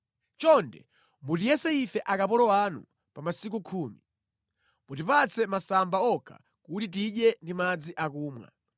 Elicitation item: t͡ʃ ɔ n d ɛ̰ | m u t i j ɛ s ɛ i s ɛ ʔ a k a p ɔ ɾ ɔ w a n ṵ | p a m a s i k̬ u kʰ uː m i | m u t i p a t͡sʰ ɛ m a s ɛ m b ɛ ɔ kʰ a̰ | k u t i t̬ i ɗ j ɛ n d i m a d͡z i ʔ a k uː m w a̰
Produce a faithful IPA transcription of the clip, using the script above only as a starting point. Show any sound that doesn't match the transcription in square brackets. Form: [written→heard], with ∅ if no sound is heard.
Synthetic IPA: t͡ʃ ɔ n d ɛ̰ | m u t i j ɛ s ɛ i [s→f] ɛ ʔ a k a p ɔ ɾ ɔ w a n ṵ | p a m a s i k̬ u kʰ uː m i | m u t i p a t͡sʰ ɛ m a s [ɛ→a] m b [ɛ→a] ɔ kʰ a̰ | k u t i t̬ i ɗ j ɛ n d i m a d͡z i ʔ a k uː m w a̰